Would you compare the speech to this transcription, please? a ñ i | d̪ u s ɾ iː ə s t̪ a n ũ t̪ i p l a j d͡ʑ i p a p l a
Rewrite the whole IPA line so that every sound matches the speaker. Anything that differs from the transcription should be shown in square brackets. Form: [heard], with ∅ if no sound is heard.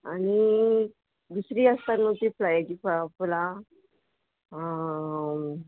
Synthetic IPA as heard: a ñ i | d̪ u s ɾ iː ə s t̪ a n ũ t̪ i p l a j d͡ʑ i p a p l a